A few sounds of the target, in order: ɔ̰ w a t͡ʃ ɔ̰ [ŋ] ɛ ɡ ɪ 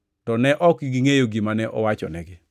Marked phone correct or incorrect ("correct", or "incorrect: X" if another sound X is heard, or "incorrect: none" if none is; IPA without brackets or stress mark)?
incorrect: n